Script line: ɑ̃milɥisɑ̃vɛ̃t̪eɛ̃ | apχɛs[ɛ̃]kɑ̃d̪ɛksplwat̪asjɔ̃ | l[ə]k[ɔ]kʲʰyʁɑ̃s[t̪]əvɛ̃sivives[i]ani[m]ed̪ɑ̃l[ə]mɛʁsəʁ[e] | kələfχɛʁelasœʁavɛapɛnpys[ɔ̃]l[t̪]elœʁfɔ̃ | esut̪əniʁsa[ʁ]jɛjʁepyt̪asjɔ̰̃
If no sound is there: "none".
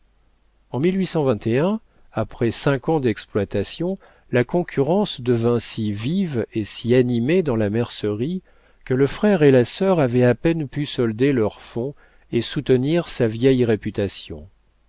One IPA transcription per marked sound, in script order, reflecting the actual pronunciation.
ɛ̃, a, ɔ̃, d̪, i, m, a, i, ɔ, d̪, v

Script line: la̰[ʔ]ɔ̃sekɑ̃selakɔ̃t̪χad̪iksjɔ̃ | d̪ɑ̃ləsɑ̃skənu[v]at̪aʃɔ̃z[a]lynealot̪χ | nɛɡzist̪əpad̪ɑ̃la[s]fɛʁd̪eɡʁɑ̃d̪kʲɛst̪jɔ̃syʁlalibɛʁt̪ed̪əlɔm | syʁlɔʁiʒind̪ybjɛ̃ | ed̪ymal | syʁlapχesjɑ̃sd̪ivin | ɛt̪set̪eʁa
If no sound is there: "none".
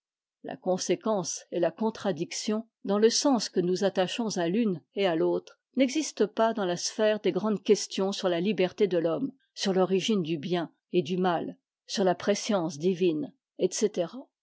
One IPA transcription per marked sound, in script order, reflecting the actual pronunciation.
k, z, a, s

